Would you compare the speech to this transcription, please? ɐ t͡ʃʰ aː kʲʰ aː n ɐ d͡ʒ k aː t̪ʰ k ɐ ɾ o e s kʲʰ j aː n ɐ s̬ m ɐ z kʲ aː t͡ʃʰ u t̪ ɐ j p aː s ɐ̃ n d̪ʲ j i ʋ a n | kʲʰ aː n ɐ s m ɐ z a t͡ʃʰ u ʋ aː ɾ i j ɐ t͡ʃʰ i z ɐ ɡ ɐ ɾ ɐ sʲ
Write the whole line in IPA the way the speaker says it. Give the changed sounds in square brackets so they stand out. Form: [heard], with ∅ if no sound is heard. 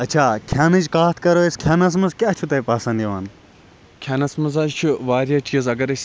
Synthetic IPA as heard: ɐ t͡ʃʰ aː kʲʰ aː n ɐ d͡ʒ k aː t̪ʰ k ɐ ɾ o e s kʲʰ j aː n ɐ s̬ m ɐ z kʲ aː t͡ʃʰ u t̪ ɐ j p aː s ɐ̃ n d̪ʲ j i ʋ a n | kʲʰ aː n ɐ s m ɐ z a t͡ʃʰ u ʋ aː ɾ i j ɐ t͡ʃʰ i z ɐ ɡ ɐ ɾ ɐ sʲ